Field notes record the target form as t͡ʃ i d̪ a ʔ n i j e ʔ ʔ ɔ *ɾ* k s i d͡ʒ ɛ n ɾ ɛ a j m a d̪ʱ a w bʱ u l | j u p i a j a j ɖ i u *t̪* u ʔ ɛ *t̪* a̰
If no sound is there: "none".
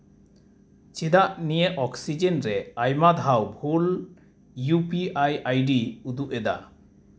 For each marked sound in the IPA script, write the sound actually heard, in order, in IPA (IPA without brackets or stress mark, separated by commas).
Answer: none, d̪, d̪